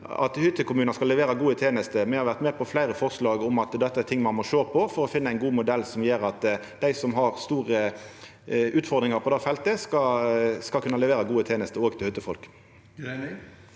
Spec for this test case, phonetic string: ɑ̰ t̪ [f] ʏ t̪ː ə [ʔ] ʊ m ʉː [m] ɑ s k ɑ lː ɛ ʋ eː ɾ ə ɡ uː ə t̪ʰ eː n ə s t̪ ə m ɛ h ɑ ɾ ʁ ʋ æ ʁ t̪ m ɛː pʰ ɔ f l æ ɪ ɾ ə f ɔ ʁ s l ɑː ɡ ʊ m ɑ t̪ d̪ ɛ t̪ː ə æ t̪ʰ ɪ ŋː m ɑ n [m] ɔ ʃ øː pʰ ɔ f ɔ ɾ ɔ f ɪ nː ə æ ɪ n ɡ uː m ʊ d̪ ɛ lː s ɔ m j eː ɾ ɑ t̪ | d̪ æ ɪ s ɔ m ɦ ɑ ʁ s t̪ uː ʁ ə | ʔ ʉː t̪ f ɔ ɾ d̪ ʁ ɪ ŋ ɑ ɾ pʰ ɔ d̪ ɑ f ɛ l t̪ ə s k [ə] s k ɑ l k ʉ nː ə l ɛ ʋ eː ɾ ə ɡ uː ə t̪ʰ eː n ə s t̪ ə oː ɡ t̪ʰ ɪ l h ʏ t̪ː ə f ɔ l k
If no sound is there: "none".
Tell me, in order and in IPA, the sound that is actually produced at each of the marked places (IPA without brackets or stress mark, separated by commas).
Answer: h, k, n, m, ɑ